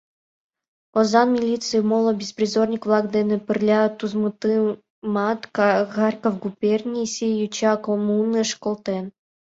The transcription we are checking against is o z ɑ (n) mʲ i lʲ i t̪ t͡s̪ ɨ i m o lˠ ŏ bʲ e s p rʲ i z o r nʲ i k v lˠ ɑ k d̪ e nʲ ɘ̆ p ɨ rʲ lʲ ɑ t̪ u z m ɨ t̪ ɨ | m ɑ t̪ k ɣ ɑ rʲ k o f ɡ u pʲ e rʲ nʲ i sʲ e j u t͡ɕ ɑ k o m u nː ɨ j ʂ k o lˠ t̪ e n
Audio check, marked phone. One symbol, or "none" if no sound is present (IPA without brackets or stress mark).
n